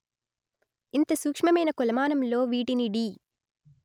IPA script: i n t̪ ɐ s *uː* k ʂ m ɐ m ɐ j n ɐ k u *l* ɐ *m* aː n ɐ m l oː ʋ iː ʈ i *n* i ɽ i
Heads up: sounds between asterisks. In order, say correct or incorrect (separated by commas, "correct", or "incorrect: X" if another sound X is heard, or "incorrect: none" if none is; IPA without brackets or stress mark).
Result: correct, correct, correct, correct